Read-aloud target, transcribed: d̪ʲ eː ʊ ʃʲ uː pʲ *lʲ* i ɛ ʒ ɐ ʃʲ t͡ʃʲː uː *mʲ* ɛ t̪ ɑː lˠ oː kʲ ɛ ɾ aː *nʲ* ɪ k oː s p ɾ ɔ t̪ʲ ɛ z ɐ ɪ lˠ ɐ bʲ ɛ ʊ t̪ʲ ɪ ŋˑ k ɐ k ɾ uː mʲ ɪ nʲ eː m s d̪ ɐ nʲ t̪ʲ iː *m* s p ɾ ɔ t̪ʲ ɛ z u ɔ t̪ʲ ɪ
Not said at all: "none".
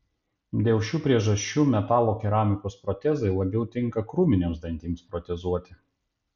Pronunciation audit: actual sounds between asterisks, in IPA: ɾʲ, mʲ, mʲ, m

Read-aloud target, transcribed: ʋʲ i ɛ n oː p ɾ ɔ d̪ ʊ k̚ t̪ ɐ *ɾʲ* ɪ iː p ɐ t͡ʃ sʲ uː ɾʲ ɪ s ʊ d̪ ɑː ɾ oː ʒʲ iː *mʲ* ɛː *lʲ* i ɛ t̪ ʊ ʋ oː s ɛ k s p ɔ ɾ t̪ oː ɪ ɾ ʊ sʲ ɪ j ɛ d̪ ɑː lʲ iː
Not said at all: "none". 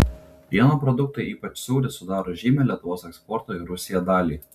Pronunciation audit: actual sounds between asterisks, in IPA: none, mʲ, lʲ

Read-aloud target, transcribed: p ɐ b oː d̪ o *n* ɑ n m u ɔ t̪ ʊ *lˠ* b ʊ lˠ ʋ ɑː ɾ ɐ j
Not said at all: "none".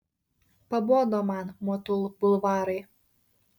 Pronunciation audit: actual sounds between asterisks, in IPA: m, lˠ

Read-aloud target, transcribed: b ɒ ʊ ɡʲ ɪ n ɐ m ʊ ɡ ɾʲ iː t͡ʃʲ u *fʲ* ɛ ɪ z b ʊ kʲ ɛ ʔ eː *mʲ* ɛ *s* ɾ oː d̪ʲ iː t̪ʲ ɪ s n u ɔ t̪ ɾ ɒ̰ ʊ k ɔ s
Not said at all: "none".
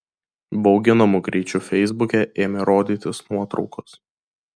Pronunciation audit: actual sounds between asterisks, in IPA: fʲ, mʲ, none

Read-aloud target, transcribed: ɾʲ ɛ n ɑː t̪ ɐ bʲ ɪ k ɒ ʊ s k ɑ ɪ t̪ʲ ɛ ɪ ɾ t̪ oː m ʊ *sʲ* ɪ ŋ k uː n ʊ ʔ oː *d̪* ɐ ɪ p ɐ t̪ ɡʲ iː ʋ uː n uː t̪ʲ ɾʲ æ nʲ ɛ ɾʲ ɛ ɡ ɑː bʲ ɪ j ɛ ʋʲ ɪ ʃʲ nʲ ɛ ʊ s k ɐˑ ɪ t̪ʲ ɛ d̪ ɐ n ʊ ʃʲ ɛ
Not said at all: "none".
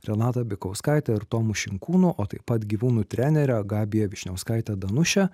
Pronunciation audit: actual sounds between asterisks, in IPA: ʃʲ, t̪

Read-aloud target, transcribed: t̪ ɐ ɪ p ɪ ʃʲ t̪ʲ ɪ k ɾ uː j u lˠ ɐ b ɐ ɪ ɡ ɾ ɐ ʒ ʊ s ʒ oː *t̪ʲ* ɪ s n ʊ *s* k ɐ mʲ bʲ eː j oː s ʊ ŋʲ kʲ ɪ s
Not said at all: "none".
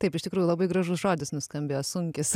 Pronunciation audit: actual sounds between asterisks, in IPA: d̪ʲ, s

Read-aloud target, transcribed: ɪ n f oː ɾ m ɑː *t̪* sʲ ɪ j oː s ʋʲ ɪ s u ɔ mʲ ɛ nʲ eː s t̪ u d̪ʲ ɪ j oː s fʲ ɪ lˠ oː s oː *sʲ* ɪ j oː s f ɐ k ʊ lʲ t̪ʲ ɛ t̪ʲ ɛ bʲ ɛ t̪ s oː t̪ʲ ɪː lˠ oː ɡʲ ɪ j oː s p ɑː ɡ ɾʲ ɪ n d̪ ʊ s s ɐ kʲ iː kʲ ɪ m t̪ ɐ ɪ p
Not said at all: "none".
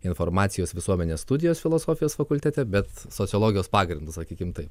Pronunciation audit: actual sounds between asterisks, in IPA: t̪, fʲ

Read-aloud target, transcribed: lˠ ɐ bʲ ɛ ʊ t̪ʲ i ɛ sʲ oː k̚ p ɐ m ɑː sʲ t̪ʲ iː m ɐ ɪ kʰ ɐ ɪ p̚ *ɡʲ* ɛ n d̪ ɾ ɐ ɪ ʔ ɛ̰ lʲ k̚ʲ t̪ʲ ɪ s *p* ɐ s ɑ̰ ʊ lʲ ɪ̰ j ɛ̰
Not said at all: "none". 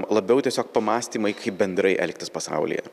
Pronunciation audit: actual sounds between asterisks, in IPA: bʲ, p

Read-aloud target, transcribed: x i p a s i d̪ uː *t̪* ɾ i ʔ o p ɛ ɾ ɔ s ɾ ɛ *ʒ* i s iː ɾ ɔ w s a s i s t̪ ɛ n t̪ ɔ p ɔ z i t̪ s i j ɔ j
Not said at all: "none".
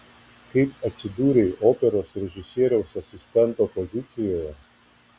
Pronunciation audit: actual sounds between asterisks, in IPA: none, ʒ

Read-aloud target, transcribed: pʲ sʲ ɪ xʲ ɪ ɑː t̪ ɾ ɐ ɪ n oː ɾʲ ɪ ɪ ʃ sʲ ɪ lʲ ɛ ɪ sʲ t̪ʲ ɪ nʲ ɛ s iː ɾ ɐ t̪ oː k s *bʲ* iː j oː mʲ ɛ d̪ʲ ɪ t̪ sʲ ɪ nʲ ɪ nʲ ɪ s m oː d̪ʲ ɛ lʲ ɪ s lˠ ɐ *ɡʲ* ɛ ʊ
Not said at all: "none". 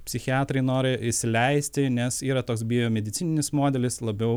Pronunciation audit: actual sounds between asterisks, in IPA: bʲ, bʲ

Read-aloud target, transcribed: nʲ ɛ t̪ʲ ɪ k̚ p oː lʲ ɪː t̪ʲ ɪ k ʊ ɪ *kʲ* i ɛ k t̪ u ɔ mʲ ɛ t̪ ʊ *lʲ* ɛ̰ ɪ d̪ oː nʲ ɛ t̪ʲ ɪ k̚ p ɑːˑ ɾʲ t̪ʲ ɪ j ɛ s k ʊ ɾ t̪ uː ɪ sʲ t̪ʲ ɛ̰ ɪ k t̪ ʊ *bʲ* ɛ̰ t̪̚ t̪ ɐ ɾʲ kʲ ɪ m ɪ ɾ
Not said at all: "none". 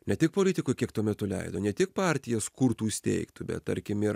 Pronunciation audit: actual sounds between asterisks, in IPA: kʲ, lʲ, bʲ

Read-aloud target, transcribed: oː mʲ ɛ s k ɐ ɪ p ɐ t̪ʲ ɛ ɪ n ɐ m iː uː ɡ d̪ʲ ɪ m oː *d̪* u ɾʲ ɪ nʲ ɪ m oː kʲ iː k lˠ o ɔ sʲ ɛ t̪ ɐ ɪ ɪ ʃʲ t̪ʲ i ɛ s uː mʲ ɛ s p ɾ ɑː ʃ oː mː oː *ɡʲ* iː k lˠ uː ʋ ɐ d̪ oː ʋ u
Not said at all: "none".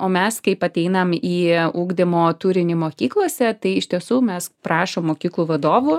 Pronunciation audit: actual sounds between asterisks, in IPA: t̪, kʲ

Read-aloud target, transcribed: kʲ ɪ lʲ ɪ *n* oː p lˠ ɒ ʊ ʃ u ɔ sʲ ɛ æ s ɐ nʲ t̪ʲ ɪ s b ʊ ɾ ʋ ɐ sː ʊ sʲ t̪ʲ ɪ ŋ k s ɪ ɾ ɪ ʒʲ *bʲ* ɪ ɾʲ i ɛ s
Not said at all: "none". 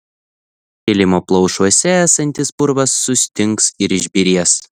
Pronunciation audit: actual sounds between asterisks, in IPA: m, bʲ

